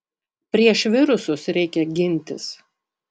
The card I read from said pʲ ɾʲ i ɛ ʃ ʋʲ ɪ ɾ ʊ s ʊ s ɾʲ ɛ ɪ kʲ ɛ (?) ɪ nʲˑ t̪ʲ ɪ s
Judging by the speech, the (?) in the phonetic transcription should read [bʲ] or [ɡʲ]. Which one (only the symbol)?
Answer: ɡʲ